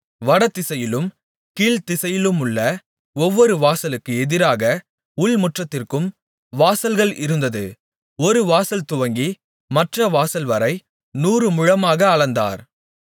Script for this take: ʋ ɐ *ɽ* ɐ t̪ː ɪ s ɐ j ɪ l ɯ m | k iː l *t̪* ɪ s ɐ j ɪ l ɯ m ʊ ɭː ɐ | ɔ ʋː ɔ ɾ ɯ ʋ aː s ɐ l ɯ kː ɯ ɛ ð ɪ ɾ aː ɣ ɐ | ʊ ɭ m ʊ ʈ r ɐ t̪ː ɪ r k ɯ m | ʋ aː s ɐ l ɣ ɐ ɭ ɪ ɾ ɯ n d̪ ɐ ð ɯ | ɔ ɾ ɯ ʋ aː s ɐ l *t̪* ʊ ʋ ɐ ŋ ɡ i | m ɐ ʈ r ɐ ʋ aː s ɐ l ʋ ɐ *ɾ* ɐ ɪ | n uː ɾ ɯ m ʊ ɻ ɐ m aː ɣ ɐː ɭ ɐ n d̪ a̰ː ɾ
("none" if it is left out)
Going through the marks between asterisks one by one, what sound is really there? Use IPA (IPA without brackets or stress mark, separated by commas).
ɽ, t̪, t̪, ɾ